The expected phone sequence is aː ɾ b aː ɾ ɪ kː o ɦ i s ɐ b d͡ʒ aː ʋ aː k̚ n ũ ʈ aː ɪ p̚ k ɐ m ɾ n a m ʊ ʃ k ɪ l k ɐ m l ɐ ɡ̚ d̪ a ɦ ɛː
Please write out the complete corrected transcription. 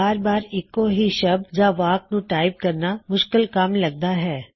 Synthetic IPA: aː ɾ b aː ɾ ɪ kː o ɦ i ʃ ɐ b d͡ʒ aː ʋ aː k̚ n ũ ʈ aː ɪ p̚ k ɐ ɾ n a m ʊ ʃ k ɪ l k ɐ m l ɐ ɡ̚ d̪ a ɦ ɛː